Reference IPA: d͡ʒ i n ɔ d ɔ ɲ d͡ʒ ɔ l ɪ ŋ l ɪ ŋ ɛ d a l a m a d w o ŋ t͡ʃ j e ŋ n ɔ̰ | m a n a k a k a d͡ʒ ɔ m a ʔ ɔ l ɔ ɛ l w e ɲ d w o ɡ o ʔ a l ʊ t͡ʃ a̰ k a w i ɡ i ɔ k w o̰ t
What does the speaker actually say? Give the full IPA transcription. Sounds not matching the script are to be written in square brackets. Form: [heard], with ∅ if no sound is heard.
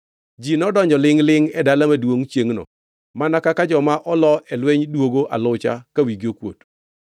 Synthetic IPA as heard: d͡ʒ i n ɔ d ɔ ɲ d͡ʒ ɔ l ɪ ŋ l ɪ ŋ ɛ d a l a m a d w o ŋ t͡ʃ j e ŋ n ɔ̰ | m a n a k a k a d͡ʒ ɔ m a ʔ ɔ l ɔ ɛ l w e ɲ d w o ɡ o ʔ a l ʊ t͡ʃ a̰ k a w i ɡ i [o] k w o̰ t